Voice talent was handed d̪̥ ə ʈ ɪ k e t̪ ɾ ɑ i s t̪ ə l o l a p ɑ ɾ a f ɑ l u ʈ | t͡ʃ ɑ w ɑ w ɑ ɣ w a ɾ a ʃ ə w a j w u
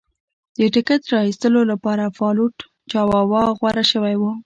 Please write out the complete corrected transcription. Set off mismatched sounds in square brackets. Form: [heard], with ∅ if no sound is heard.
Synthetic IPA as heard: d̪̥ ə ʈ ɪ k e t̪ ɾ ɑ i s t̪ ə l o l a p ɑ ɾ a f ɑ l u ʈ | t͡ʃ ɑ w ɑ w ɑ ɣ w a ɾ a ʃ ə w a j w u